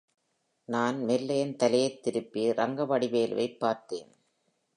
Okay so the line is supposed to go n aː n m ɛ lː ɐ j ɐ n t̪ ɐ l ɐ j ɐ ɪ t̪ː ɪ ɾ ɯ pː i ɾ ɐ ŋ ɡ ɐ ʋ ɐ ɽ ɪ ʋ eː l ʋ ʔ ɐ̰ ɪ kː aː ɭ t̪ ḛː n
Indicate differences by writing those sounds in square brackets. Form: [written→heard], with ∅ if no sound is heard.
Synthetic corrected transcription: n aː n m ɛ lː ɐ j ɐ n t̪ ɐ l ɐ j ɐ ɪ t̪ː ɪ ɾ ɯ pː i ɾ ɐ ŋ ɡ ɐ ʋ ɐ ɽ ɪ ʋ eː l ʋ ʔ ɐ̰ ɪ [kː→pː] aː [ɭ→ɾ] t̪ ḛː n